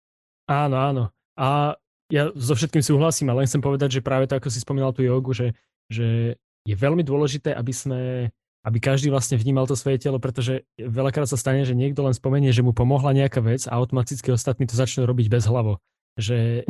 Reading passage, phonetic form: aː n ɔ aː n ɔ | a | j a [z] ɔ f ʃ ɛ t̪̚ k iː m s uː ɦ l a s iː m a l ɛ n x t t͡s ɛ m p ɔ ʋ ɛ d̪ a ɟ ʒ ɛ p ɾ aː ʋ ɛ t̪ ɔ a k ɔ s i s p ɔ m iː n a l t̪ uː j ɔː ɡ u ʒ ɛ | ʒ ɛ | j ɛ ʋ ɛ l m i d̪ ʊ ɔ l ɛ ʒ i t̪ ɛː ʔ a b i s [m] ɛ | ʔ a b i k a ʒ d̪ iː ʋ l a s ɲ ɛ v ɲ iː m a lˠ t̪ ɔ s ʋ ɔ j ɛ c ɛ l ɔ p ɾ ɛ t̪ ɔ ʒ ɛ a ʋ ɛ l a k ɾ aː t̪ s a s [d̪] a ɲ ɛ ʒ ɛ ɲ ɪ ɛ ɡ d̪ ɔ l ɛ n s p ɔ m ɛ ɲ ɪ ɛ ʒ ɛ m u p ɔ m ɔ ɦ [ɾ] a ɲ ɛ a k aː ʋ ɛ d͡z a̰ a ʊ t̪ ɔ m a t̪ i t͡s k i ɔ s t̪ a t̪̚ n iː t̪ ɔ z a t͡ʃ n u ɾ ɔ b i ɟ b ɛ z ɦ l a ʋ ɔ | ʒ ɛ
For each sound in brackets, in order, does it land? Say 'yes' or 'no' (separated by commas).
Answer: yes, yes, no, no